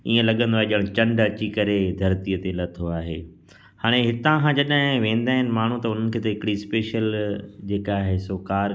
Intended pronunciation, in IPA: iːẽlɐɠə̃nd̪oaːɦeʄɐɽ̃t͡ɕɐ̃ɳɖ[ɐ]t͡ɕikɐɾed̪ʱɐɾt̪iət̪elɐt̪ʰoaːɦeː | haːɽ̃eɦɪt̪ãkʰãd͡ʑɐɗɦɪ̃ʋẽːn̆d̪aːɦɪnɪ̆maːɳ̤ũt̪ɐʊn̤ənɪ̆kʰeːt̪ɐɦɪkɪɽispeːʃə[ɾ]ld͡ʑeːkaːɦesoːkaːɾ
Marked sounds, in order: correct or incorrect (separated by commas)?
correct, incorrect